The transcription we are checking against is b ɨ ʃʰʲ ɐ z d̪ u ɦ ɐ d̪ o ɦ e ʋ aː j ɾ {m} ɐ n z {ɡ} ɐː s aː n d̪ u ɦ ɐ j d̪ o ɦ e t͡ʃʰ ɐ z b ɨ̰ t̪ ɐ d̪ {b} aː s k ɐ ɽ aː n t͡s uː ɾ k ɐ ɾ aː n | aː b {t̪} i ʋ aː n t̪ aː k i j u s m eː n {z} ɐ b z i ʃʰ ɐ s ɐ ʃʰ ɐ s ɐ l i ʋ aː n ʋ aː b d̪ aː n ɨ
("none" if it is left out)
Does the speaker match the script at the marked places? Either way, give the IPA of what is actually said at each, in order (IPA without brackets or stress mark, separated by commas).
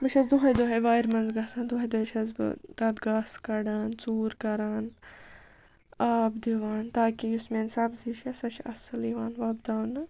m, ɡ, ɡ, d̪, s